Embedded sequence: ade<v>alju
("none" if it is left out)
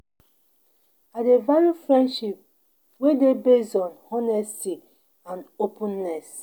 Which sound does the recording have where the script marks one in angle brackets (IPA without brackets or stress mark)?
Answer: v